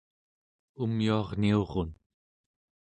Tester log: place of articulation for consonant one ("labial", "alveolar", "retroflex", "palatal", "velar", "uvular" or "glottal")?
labial